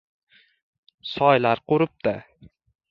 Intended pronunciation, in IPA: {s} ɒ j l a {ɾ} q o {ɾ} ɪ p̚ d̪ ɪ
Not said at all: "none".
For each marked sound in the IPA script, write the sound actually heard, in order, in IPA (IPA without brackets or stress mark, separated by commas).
s, ɾ, ɾ